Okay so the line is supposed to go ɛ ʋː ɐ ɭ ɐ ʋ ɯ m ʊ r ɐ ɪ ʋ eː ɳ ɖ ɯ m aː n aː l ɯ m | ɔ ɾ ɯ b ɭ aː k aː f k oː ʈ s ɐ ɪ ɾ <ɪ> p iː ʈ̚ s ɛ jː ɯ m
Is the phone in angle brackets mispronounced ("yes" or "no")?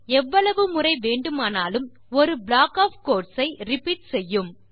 no